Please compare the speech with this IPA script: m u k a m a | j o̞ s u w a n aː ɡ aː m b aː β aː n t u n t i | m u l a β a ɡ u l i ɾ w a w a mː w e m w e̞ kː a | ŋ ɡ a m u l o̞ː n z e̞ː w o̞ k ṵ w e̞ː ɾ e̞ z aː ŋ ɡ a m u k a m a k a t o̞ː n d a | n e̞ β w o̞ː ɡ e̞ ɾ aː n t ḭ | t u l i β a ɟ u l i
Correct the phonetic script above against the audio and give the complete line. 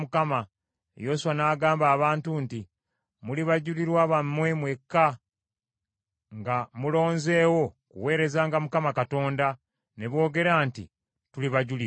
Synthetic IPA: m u k a m a | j o̞ s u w a n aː ɡ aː m b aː β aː n t u n t i | m u l i β a ɟ u l i ɾ w a β a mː w e m w e̞ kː a | ŋ ɡ a m u l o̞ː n z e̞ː w o̞ k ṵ w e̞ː ɾ e̞ z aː ŋ ɡ a m u k a m a k a t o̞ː n d a | n e̞ β w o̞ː ɡ e̞ ɾ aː n t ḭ | t u l i β a ɟ u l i